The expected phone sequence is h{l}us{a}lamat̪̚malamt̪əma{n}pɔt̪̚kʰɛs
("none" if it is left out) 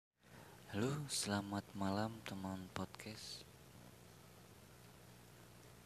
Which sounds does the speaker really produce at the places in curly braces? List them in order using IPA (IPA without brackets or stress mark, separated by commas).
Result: l, ə, n